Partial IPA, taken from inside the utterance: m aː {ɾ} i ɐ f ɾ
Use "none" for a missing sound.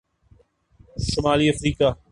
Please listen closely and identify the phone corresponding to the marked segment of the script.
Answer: l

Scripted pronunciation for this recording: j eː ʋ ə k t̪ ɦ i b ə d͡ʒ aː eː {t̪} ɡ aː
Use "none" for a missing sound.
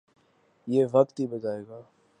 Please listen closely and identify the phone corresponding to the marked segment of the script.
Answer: none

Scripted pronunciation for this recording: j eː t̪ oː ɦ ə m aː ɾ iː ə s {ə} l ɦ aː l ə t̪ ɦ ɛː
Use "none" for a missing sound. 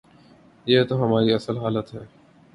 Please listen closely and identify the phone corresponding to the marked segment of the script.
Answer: ə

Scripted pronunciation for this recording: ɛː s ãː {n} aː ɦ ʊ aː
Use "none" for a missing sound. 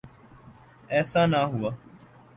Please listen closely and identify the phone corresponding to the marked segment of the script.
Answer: n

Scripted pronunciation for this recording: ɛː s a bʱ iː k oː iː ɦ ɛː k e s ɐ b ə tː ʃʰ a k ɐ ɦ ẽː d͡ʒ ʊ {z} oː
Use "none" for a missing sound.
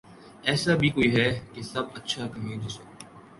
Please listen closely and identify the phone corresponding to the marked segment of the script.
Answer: s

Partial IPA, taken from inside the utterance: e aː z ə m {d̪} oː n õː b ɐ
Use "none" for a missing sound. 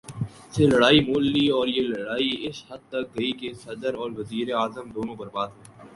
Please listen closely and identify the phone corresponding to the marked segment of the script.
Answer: d̪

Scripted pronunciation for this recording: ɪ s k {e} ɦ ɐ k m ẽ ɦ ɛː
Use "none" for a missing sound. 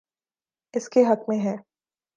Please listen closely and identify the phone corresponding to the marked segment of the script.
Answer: e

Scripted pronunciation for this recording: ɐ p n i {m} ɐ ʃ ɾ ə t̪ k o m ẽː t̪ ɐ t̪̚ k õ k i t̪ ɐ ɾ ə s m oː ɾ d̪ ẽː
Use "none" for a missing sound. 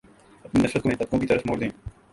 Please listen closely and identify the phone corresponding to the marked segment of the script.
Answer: n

